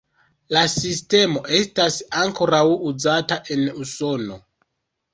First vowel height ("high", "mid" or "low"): low